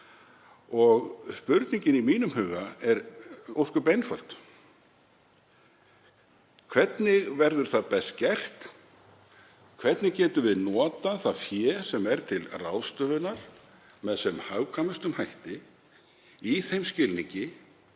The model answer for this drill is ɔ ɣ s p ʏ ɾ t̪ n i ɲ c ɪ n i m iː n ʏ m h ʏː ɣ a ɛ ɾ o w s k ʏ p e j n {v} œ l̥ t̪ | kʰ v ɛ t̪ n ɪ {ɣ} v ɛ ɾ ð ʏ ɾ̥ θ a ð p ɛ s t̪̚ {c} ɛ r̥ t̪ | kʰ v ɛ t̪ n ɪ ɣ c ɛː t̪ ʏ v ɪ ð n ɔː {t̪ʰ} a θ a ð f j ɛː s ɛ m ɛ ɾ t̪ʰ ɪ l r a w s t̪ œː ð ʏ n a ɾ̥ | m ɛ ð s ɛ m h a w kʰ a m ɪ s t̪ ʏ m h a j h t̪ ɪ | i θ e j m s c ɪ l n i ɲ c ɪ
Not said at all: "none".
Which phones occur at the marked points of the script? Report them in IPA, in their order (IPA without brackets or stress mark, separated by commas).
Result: f, ɣ, c, t̪